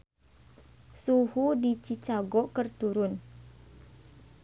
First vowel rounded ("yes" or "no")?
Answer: yes